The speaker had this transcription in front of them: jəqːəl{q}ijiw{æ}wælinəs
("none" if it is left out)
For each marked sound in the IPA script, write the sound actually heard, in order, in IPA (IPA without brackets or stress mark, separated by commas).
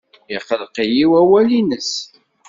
q, æ